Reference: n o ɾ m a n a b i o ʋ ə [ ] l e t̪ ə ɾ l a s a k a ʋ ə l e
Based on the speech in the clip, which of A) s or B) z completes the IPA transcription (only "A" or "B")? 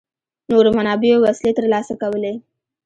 A